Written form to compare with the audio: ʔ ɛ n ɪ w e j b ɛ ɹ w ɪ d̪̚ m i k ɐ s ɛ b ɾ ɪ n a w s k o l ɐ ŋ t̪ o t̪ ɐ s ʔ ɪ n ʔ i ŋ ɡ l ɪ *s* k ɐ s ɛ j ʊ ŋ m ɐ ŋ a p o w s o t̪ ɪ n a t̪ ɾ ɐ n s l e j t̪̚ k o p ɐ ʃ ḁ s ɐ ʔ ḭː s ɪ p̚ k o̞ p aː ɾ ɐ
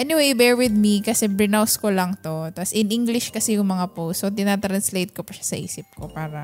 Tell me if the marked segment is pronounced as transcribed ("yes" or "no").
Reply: no